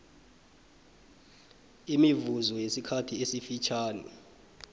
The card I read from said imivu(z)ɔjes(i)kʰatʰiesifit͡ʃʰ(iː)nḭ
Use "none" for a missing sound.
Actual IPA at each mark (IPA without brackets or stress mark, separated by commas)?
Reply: z, i, aː